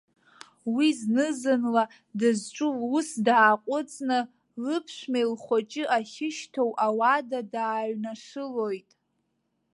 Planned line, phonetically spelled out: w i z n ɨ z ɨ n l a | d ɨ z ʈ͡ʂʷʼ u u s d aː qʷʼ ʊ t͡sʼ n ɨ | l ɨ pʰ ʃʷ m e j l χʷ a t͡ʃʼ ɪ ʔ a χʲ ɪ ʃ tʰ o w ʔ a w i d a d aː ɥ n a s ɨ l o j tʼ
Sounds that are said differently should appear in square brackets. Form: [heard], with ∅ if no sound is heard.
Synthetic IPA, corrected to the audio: w i z n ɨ z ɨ n l a | d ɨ z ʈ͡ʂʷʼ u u s d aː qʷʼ ʊ t͡sʼ n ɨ | l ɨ pʰ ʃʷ m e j l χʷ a t͡ʃʼ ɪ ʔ a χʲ ɪ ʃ tʰ o w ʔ a w [a] d a d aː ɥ n a [ʂ] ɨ l o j tʼ

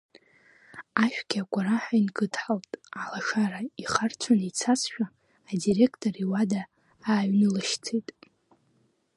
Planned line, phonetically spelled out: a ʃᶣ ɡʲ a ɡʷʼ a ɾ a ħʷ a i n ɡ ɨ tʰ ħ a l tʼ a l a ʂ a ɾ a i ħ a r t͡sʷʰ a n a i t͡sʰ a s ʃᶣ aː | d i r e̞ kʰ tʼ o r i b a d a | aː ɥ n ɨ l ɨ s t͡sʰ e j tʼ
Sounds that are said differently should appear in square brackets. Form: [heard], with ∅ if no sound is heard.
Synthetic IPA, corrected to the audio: a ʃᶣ ɡʲ a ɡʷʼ a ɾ a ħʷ a i n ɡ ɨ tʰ ħ a l tʼ a l a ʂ a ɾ a i [χ] a r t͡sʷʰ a n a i t͡sʰ a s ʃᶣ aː | d i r e̞ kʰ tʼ o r i [w] a d a | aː ɥ n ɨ l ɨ [ʃ] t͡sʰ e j tʼ

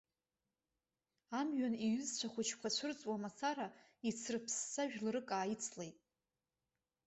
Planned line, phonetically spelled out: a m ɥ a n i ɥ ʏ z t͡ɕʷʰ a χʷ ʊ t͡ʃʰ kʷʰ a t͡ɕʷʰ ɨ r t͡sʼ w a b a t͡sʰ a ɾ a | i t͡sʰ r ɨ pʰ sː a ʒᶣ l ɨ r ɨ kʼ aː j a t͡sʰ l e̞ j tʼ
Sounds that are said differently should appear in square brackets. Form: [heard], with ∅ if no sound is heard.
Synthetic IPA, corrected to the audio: a m ɥ a n i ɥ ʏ z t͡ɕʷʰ a χʷ ʊ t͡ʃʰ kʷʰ a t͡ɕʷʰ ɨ r t͡sʼ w a [m] a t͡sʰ a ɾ a | i t͡sʰ r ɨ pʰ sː a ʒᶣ l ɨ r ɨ kʼ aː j [i] t͡sʰ l e̞ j tʼ

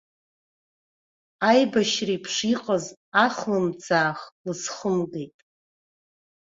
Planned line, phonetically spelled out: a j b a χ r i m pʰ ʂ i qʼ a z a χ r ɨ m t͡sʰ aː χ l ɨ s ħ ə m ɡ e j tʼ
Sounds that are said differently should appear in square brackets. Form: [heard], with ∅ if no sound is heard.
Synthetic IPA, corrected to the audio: a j b a [ʃ] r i [∅] pʰ ʂ i qʼ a z a χ [l] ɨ m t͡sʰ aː χ l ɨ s [χ] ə m ɡ e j tʼ

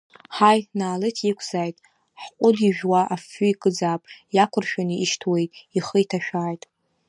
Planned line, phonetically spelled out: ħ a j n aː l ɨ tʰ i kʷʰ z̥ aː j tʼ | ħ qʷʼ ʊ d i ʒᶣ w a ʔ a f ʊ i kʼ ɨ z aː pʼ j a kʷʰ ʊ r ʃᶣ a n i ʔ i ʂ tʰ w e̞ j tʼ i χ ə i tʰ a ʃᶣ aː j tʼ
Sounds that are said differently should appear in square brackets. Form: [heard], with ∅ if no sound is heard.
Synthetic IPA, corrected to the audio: ħ a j n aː l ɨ tʰ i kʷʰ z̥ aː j tʼ | ħ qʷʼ ʊ d i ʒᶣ w a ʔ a f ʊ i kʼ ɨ [d͡z] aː pʼ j a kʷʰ ʊ r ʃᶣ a n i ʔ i [ʃ] tʰ w e̞ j tʼ i χ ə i tʰ a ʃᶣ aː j tʼ

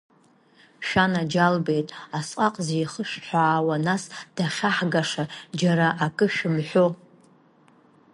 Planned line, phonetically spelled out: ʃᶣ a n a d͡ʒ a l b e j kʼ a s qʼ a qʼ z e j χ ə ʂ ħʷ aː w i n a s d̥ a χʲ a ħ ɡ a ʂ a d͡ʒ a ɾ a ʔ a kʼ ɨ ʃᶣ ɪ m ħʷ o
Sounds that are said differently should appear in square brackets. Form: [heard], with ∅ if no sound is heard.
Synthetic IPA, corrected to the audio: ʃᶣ a n a d͡ʒ a l b e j [tʼ] a s qʼ a qʼ z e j χ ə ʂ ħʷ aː w [a] n a s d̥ a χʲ a ħ ɡ a ʂ a d͡ʒ a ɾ a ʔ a kʼ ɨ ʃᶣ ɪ m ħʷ o

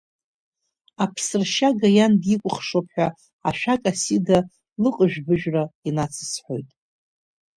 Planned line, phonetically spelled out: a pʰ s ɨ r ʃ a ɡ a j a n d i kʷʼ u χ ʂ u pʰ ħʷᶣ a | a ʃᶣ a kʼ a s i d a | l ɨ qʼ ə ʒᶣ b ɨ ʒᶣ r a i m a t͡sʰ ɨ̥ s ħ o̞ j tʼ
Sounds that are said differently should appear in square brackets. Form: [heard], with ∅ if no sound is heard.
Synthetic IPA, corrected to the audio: a pʰ s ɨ r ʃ a ɡ a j a n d i kʷʼ [ʊ] χ ʂ [o] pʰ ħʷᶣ a | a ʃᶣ a kʼ a s i d a | l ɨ qʼ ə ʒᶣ b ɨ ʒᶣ r a i [n] a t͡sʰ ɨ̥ s ħ o̞ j tʼ

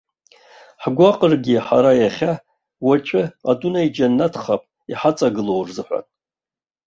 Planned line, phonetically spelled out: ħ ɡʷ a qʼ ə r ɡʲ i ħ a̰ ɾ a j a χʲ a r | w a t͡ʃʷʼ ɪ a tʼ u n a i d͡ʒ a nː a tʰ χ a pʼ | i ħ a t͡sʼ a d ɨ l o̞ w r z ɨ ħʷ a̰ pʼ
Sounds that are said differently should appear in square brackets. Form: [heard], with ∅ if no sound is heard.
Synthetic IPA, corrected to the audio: ħ ɡʷ a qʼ ə r ɡʲ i ħ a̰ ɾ a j a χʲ a [∅] | w a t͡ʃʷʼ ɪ a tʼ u n a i d͡ʒ a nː a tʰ χ a pʼ | i ħ a t͡sʼ a [ɡ] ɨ l o̞ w r z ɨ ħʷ a̰ [tʼ]

